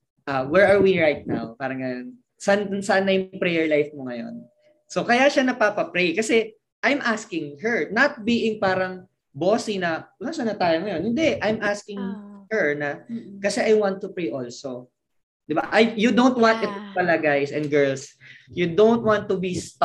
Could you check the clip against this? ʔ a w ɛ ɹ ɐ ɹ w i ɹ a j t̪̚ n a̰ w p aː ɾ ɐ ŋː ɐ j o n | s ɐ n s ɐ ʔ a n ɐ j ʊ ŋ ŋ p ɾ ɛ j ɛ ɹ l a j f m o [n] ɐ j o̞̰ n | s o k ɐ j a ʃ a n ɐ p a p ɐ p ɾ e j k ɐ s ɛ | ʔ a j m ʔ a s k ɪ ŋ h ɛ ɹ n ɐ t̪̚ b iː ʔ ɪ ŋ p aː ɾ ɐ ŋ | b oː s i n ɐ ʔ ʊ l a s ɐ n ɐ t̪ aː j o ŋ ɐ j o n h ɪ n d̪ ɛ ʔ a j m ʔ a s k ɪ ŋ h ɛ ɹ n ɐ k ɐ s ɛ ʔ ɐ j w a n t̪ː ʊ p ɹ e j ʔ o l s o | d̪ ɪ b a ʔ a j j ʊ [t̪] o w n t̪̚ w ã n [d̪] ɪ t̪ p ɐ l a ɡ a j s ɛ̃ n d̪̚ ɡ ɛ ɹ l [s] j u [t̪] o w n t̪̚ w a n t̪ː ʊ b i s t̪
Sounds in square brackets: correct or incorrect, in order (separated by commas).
incorrect, incorrect, incorrect, correct, incorrect